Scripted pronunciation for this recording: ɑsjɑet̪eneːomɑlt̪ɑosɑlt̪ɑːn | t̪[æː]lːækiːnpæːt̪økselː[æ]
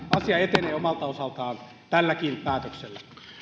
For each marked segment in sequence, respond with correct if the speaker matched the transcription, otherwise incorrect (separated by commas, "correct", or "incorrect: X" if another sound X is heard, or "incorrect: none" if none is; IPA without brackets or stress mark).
incorrect: æ, correct